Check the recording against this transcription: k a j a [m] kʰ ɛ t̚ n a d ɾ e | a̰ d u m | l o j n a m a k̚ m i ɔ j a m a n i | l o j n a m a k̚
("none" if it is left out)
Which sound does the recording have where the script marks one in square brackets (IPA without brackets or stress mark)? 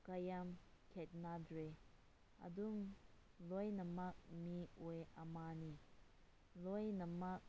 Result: m